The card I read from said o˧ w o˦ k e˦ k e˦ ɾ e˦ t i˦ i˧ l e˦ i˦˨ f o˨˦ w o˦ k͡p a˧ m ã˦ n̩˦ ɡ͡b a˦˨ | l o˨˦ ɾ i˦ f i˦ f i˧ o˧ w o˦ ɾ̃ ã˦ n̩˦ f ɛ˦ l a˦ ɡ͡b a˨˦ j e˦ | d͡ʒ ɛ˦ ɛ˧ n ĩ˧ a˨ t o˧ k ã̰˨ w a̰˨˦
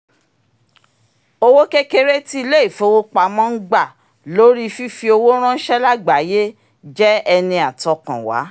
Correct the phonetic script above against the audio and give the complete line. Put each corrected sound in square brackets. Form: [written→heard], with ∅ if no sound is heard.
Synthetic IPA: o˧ w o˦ k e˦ k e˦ ɾ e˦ t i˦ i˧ l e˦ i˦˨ f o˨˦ w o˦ k͡p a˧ m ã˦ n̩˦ ɡ͡b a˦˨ | l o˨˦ ɾ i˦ f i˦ f i˧ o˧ w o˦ ɾ̃ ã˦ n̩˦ [f→ʃ] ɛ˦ l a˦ ɡ͡b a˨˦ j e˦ | d͡ʒ ɛ˦ ɛ˧ n ĩ˧ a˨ t [o˧→ɔ˧] k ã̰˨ w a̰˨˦